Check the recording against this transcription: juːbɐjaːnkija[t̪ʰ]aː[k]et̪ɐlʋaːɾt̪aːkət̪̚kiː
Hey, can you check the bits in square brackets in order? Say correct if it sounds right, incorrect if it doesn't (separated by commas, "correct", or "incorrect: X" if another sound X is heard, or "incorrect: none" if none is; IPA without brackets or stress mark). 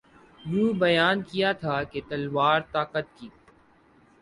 correct, correct